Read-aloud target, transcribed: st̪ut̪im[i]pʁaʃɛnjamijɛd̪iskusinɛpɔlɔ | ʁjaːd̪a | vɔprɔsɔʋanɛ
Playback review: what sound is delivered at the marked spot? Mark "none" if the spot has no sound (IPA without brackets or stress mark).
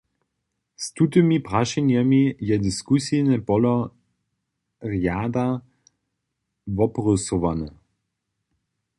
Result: i